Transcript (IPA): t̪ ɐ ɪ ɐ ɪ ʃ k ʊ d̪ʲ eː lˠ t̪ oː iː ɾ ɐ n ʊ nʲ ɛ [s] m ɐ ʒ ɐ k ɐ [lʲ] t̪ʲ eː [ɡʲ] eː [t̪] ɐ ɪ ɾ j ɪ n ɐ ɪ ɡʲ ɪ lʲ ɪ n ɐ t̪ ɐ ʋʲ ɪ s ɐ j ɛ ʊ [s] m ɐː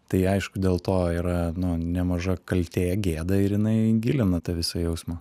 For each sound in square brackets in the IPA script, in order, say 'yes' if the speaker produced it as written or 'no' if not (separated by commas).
no, yes, yes, no, yes